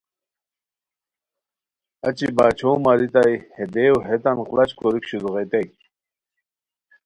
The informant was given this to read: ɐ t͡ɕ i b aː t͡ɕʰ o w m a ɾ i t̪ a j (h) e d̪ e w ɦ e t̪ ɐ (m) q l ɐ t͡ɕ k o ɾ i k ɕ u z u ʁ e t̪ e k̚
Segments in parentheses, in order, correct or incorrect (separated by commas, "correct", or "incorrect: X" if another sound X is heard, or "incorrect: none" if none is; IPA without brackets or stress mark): correct, incorrect: n